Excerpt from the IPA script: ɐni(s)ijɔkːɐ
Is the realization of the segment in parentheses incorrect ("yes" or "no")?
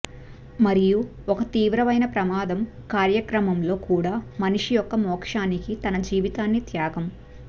yes